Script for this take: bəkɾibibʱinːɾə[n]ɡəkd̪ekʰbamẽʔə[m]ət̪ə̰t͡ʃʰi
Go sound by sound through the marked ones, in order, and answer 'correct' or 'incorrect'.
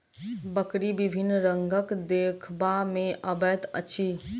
incorrect, incorrect

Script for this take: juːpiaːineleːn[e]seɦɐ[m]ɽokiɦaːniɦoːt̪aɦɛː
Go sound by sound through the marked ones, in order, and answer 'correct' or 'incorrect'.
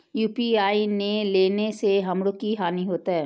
correct, correct

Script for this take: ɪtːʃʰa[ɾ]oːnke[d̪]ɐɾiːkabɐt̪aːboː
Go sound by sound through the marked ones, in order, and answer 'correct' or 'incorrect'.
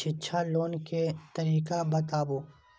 incorrect, incorrect

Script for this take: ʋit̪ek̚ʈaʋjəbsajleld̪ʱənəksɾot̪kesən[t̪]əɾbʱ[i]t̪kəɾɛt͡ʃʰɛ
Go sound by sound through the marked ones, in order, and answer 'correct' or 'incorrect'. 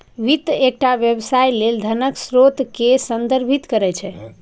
incorrect, correct

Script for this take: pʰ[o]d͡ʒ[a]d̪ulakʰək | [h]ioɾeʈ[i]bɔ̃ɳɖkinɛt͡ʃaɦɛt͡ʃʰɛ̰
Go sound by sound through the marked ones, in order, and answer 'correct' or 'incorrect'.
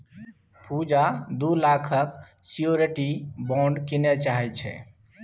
incorrect, correct, incorrect, correct

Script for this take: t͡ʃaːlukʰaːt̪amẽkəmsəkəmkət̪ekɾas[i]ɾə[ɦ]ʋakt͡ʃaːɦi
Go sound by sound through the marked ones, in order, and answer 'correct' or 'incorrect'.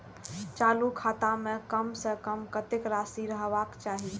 correct, correct

